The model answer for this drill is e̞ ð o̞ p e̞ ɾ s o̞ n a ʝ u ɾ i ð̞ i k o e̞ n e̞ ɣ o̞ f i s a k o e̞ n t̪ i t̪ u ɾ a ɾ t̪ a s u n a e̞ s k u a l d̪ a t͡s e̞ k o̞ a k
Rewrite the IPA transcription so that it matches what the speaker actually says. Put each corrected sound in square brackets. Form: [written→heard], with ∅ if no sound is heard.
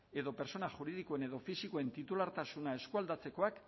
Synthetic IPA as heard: e̞ ð o̞ p e̞ ɾ s o̞ n a ʝ u ɾ i ð̞ i k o e̞ n e̞ [ɣ→ð] o̞ f i s [a→i] k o e̞ n t̪ i t̪ u [ɾ→l] a ɾ t̪ a s u n a e̞ s k u a l d̪ a t͡s e̞ k o̞ a k